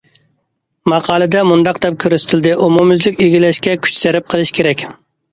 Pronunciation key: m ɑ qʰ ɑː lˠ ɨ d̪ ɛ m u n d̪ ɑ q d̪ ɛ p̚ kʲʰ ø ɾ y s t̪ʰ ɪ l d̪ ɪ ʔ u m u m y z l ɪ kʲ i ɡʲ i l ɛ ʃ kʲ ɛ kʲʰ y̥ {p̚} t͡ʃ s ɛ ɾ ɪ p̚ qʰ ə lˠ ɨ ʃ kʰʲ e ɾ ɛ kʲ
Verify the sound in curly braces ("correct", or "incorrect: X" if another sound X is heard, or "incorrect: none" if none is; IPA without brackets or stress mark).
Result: incorrect: none